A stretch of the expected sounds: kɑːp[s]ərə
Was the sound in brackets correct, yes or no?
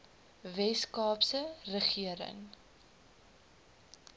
yes